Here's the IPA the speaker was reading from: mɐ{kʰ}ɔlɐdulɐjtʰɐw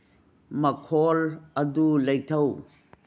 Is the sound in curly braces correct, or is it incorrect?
correct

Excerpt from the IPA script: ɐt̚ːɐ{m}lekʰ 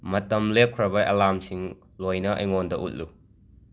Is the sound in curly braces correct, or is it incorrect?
correct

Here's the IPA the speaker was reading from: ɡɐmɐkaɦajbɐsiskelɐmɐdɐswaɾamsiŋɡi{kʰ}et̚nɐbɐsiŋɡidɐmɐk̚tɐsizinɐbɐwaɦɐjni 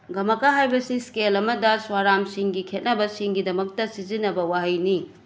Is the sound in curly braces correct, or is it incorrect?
correct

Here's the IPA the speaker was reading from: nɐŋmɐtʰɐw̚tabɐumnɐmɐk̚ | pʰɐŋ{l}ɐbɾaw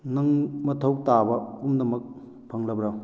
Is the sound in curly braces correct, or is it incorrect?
correct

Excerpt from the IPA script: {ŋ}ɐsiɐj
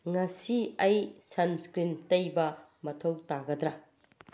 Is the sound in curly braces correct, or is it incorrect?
correct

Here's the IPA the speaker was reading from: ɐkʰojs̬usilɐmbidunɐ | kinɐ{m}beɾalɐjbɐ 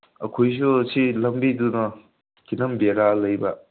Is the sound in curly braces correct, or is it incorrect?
correct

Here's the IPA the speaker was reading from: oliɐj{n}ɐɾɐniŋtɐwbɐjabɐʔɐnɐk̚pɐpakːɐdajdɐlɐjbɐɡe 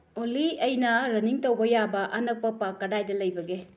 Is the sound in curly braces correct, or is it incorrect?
correct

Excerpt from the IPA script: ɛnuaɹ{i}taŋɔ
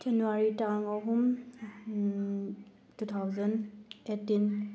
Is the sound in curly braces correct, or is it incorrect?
correct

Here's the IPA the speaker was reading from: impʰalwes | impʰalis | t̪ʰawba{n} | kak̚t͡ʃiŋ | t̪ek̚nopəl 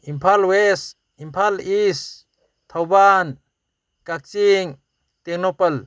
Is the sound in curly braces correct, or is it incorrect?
correct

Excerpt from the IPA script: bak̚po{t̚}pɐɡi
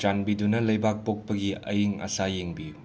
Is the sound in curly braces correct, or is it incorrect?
incorrect: k̚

